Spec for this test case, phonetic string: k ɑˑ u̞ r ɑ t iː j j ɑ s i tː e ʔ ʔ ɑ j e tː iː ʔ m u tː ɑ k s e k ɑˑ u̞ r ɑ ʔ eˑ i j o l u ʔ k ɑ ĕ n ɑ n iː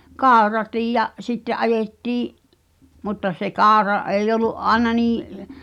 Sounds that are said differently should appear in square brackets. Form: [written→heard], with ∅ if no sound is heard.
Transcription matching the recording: k ɑˑ u̞ r ɑ t iː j j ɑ s i tː e ʔ ʔ ɑ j e tː iː ʔ m u tː ɑ [k→∅] s e k ɑˑ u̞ r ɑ ʔ eˑ i j o l u ʔ [k→ʔ] ɑ ĕ n ɑ n iː